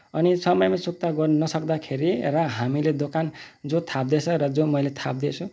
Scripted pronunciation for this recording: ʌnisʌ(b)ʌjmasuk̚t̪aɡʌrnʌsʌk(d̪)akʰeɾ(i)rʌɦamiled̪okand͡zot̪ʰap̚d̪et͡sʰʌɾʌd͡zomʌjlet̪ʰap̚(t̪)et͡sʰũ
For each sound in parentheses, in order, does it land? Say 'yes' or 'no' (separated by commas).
no, yes, yes, no